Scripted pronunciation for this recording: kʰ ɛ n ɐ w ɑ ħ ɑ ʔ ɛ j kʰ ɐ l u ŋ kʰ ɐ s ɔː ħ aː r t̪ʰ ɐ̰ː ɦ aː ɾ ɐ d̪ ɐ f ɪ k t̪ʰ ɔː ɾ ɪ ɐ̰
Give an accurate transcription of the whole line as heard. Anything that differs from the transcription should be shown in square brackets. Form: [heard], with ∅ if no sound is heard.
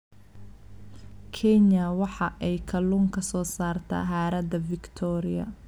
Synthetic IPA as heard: kʰ ɛ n ɐ w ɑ ħ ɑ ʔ ɛ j kʰ ɐ l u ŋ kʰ ɐ s ɔː [s] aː r t̪ʰ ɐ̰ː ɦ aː ɾ ɐ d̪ ɐ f ɪ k t̪ʰ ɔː ɾ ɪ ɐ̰